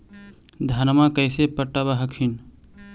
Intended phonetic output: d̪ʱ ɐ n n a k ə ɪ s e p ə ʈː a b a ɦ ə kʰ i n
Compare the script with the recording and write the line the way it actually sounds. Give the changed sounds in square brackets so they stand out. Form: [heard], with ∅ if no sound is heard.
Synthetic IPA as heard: d̪ʱ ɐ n [m] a k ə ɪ s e p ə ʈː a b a ɦ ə kʰ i n